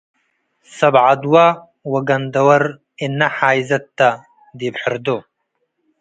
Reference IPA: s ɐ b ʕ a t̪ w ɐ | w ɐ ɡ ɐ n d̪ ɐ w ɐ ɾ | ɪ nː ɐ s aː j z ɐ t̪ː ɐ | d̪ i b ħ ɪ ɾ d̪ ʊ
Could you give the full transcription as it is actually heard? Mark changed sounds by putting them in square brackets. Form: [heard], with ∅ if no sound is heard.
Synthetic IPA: s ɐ b ʕ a [d̪] w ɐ | w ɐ ɡ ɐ n d̪ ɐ w ɐ ɾ | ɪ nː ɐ [ħ] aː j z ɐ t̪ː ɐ | d̪ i b ħ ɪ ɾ d̪ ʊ